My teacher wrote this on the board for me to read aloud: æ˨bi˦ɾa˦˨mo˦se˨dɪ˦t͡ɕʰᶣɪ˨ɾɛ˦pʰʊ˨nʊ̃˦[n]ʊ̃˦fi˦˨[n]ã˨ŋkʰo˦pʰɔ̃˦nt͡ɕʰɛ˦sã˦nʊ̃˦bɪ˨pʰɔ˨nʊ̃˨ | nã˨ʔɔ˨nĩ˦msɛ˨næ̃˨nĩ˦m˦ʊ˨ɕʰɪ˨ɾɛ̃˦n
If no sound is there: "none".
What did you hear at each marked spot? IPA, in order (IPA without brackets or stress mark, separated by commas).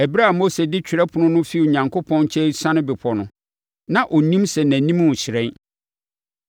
n, ɲ